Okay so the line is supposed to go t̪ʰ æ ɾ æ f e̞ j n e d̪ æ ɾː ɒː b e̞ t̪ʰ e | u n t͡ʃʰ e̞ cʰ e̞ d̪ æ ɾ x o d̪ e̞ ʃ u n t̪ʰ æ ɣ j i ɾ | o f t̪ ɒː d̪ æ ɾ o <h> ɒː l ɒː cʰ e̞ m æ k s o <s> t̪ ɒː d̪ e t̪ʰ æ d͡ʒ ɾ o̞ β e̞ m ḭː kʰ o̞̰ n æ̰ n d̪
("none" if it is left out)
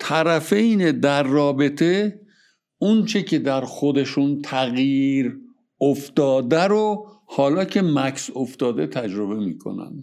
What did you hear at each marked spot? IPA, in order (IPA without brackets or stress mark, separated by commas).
h, f